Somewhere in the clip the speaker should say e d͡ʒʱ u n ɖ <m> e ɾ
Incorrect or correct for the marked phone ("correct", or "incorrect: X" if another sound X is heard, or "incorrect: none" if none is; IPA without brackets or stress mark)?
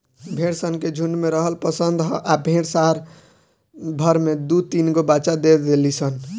correct